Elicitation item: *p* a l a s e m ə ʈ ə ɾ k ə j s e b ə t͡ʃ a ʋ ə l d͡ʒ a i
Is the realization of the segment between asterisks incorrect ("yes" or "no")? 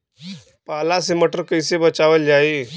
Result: no